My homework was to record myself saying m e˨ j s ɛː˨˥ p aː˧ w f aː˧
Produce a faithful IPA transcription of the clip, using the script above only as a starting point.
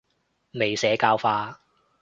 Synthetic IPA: m e˨ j s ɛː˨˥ k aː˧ w f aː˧